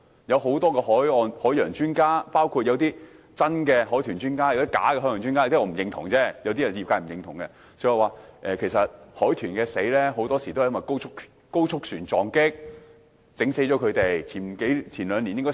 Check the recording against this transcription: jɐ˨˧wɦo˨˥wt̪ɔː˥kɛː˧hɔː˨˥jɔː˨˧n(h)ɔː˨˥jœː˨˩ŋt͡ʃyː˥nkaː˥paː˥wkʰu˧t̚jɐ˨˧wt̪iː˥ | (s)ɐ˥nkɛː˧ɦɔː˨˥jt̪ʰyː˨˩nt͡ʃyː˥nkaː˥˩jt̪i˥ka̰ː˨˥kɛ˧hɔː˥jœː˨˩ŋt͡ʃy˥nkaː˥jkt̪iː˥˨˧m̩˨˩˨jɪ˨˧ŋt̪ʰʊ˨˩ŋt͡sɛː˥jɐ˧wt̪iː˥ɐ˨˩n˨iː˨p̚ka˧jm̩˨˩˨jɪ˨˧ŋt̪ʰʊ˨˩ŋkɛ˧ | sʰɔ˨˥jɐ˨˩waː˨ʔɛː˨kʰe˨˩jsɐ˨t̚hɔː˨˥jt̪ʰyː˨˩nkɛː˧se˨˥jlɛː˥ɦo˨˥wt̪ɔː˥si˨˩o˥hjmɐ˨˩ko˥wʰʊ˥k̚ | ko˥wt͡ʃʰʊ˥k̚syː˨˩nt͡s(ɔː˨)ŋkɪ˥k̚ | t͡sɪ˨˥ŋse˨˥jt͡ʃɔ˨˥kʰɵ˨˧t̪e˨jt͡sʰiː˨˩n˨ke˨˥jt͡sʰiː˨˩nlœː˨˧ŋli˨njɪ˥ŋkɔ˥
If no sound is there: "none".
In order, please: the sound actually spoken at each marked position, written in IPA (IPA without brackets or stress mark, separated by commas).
h, t͡s, ɔː˨